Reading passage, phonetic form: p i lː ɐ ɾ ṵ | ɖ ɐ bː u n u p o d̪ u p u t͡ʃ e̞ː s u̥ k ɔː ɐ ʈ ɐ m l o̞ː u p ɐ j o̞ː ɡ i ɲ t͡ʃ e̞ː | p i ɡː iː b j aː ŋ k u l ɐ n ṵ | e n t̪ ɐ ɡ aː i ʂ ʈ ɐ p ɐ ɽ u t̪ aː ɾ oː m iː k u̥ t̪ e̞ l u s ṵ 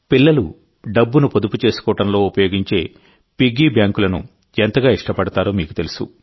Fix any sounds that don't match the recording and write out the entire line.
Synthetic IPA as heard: p i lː ɐ l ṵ | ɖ ɐ bː u n u p o d̪ u p u t͡ʃ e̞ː s u̥ k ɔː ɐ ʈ ɐ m l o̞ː u p ɐ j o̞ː ɡ i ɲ t͡ʃ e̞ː | p i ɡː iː b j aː ŋ k u l ɐ n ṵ | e n t̪ ɐ ɡ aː i ʂ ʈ ɐ p ɐ ɽ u t̪ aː ɾ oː m iː k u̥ t̪ e̞ l u s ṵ